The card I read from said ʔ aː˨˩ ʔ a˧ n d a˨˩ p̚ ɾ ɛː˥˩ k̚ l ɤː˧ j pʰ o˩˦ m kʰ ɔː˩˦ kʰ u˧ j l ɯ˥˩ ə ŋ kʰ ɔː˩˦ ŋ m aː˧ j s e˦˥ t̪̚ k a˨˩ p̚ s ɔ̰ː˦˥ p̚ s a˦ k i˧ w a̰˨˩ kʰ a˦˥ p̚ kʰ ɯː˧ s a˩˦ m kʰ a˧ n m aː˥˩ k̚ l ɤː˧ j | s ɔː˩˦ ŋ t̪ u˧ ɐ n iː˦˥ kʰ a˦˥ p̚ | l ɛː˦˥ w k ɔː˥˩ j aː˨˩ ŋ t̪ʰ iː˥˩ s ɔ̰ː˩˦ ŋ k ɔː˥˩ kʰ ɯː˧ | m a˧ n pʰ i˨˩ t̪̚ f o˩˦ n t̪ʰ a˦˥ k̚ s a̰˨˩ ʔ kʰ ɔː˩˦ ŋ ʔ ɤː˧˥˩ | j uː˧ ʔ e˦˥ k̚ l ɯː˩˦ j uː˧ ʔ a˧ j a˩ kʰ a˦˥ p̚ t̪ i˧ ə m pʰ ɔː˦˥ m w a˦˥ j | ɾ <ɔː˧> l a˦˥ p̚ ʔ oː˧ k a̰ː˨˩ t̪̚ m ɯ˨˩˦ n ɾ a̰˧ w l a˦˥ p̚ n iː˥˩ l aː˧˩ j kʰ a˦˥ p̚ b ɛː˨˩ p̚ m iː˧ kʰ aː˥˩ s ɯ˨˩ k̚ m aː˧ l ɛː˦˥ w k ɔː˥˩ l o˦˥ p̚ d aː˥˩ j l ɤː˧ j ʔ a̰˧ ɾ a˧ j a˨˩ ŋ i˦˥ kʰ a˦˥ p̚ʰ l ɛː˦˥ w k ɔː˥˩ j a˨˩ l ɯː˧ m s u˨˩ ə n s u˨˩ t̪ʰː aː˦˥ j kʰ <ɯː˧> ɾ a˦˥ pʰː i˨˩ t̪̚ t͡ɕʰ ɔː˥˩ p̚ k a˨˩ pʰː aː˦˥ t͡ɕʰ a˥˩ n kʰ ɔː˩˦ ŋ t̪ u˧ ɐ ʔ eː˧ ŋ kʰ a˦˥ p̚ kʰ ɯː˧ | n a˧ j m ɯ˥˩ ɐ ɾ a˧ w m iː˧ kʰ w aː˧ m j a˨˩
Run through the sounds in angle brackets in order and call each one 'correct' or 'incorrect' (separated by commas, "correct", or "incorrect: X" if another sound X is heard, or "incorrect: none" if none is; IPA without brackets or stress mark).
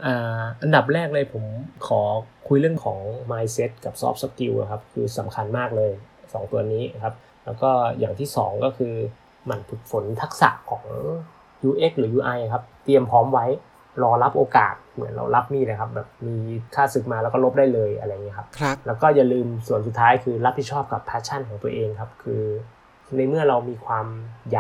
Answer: correct, correct